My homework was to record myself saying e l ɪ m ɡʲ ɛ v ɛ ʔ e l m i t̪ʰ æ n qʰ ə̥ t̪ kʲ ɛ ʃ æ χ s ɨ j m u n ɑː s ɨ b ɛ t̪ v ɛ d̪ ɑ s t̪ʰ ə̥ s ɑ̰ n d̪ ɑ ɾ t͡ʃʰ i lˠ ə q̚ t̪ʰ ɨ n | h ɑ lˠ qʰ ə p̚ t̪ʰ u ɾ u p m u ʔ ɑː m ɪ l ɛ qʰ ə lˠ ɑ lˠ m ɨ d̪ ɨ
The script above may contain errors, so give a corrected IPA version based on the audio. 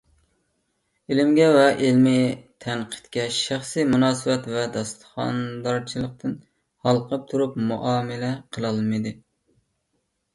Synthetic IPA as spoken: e l ɪ m ɡʲ ɛ v ɛ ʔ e l m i t̪ʰ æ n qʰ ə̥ t̪ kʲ ɛ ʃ æ χ s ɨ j m u n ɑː s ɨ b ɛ t̪ v ɛ d̪ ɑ s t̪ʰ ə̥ χ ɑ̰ n d̪ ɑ ɾ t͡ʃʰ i lˠ ə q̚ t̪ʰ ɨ n | h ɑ lˠ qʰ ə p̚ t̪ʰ u ɾ u p m u ʔ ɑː m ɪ l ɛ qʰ ə lˠ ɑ lˠ m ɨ d̪ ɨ